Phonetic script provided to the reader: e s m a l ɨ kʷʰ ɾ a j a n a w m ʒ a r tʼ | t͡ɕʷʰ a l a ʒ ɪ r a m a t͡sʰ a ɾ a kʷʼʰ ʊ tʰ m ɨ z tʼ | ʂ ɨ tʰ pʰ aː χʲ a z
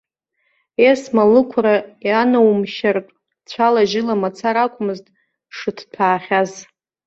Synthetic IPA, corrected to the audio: e s m a l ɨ kʷʰ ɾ a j a n a w m ʃ a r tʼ | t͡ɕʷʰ a l a ʒ ɪ l a m a t͡sʰ a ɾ a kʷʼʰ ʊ m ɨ z tʼ | ʂ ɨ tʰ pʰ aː χʲ a z